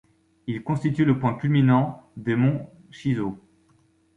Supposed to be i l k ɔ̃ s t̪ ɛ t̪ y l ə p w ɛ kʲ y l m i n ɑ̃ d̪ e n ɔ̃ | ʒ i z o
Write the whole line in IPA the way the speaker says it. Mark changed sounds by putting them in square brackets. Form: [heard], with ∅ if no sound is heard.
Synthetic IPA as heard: i l k ɔ̃ s t̪ [i] t̪ y l ə p w [ɛ̃] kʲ y l m i n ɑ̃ d̪ e [m] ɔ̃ | [ʃ] i z o